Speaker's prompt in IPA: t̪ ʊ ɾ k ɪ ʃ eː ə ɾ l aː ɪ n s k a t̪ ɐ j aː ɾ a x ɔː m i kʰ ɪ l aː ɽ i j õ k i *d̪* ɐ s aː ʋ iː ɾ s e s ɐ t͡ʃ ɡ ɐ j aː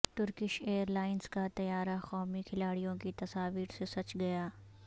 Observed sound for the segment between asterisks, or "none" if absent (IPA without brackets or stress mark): t̪